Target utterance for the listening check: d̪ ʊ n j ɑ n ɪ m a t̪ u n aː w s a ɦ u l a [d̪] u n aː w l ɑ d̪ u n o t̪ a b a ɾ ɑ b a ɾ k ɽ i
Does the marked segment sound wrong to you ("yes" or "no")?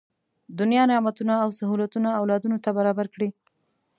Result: yes